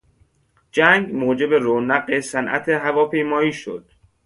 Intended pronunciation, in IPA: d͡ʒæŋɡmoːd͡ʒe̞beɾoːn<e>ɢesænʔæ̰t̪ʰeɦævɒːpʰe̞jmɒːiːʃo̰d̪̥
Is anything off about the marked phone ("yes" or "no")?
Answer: yes